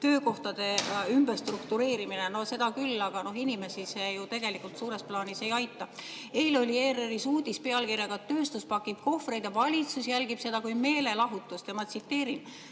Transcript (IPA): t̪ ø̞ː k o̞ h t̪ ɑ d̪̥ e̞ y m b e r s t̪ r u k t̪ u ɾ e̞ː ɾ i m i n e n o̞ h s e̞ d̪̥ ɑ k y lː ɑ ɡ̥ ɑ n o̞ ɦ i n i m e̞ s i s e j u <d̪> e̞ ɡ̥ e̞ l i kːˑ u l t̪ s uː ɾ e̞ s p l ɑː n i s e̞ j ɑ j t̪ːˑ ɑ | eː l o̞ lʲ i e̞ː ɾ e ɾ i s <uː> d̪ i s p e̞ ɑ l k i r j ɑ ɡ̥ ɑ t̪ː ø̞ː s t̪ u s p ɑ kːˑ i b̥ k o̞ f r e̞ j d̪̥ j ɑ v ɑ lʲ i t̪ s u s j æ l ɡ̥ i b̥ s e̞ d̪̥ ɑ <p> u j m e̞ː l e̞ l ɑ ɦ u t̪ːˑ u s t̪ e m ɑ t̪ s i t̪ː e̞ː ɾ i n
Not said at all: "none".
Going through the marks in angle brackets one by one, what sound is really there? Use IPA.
t̪, uː, k

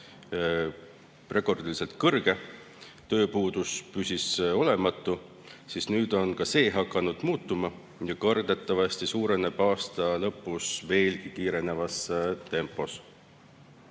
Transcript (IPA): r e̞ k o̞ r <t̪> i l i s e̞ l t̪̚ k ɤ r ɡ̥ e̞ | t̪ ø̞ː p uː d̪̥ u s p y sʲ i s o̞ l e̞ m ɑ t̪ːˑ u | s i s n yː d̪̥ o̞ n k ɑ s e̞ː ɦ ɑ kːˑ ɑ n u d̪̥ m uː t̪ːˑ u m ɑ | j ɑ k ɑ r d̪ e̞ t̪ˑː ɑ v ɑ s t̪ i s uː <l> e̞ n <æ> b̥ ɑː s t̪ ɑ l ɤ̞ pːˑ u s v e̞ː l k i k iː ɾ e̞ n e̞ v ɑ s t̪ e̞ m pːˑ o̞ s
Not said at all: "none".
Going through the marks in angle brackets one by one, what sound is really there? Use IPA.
d̪, ɾ, e

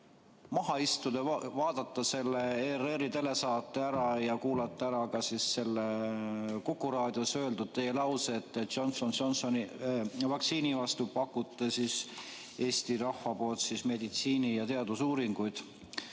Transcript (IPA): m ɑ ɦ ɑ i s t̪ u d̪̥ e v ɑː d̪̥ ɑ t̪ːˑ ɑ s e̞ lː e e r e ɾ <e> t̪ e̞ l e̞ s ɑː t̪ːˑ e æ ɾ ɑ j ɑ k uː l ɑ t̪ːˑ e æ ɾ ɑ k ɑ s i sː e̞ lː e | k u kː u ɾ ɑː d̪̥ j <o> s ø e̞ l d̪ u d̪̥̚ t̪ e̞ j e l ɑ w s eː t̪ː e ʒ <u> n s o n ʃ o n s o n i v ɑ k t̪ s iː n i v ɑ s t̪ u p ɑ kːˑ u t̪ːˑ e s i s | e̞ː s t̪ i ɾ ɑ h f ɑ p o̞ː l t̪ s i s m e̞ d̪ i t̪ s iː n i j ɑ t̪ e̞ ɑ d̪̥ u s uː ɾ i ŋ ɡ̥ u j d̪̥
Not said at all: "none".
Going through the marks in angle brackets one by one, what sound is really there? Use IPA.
i, o, o

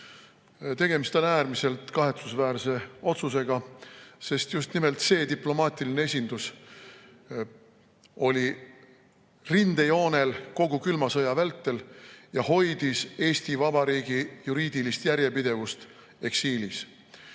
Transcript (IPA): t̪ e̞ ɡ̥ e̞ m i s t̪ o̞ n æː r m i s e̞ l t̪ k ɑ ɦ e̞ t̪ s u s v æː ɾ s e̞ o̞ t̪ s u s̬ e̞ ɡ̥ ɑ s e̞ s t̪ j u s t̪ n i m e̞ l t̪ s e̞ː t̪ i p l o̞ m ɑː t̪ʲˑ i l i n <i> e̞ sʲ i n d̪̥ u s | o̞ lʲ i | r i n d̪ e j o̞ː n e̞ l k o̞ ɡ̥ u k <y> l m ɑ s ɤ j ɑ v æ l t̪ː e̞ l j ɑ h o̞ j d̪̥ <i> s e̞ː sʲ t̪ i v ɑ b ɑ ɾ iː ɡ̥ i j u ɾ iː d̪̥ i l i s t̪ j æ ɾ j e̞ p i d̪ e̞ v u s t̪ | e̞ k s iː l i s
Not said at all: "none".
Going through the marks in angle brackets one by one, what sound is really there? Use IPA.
e, y, i

